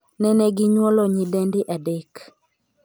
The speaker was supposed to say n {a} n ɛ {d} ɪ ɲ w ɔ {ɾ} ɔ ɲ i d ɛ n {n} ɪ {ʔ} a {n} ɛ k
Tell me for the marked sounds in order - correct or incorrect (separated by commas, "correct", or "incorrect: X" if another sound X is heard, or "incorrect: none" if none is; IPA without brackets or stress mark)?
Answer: incorrect: ɛ, incorrect: ɡ, incorrect: l, incorrect: d, correct, incorrect: d